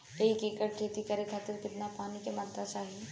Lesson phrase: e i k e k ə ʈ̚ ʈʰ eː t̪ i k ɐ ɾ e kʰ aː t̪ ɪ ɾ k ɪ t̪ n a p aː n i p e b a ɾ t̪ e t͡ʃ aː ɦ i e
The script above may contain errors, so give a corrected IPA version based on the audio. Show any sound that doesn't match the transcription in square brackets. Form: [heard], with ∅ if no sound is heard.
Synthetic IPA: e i k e k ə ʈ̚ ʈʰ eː t̪ i k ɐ ɾ e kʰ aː t̪ ɪ ɾ k ɪ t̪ n a p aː n i [k] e [m] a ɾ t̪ [a] t͡ʃ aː ɦ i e